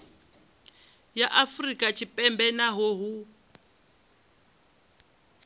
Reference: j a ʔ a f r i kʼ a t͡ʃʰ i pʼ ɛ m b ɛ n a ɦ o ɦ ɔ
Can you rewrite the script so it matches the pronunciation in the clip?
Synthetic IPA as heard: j a ʔ a f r i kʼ a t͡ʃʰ i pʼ ɛ m b ɛ n a ɦ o ɦ u

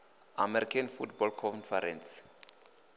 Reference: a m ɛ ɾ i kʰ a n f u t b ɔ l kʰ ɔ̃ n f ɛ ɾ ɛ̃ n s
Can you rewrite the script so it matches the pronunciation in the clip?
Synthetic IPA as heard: a m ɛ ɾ i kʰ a n f u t b ɔ l kʰ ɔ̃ n f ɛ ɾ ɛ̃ n s

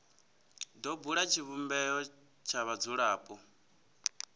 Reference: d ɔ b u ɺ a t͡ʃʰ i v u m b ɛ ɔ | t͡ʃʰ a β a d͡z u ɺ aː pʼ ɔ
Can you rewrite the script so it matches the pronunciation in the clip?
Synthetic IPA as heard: d ɔ b u ɺ a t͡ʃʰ i β u m b ɛ ɔ | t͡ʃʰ a β a d͡z u ɺ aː pʼ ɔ

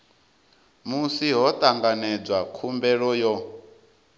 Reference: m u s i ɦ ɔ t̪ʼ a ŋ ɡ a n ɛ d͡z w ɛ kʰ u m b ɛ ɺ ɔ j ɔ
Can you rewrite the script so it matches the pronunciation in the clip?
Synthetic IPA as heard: m u s i ɦ ɔ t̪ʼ a ŋ ɡ a n ɛ d͡z w a kʰ u m b ɛ ɺ ɔ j ɔ

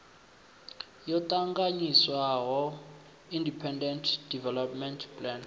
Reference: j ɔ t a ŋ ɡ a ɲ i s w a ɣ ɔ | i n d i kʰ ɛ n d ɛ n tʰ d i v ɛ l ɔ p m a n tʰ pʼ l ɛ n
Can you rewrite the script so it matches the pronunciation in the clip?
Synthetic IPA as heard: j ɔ t a ŋ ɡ a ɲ i s w a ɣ ɔ | i n d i pʰ ɛ n d ɛ n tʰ d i v ɛ l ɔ p m ɛ n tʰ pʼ l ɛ n

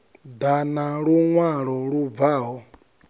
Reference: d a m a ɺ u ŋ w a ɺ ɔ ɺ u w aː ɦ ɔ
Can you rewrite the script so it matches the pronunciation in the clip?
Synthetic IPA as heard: d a n a ɺ u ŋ w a ɺ ɔ ɺ u v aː ɦ ɔ

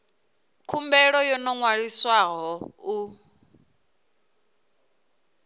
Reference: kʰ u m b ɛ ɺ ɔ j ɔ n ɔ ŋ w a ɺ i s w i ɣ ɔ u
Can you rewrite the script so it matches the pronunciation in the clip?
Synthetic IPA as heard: kʰ u m b ɛ ɺ ɔ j ɔ n ɔ ŋ w a ɺ i s w a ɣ ɔ u

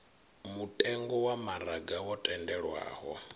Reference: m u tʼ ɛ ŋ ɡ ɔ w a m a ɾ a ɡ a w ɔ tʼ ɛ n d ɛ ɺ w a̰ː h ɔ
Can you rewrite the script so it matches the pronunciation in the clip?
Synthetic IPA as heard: m u tʼ ɛ ŋ ɡ ɔ w a m a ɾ a ɡ a w ɔ tʼ ɛ n d ɛ ɺ w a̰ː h ɔ

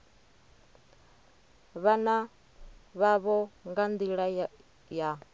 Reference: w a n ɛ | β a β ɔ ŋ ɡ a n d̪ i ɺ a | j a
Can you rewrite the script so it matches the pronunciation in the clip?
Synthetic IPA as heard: β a n a | β a β ɔ ŋ ɡ a n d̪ i ɺ a | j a

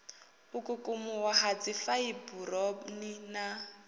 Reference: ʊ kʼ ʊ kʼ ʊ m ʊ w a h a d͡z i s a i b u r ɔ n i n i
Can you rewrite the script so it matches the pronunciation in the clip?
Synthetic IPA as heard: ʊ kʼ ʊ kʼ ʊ m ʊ w a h a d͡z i f a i b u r ɔ n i n a

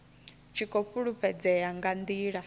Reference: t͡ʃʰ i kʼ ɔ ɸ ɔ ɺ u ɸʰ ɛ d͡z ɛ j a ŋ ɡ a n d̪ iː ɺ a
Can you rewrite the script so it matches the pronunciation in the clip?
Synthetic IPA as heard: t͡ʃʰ i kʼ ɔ ɸ u ɺ u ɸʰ ɛ d͡z ɛ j a ŋ ɡ a n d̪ iː ɺ a

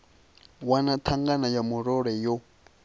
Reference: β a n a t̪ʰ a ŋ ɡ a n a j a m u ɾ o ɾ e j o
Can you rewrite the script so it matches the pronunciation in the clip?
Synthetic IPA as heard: w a n a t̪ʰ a ŋ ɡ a n a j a m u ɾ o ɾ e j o

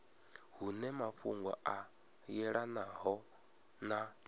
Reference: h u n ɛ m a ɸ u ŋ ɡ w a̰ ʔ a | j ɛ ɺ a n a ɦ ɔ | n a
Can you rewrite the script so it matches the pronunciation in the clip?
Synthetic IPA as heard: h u n ɛ m a ɸ u ŋ ɡ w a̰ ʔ a | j ɛ ɺ a n a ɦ ɔ | n a

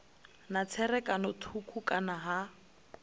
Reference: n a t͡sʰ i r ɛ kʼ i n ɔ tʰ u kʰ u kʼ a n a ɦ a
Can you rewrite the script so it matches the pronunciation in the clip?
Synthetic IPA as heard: n a t͡sʰ ɛ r ɛ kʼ a n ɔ tʰ u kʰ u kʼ a n a ɦ a

